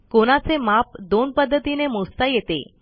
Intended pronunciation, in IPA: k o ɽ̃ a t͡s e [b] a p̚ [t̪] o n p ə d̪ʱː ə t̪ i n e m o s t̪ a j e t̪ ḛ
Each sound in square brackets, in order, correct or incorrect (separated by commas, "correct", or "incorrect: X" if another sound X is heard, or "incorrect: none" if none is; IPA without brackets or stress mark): incorrect: m, incorrect: d̪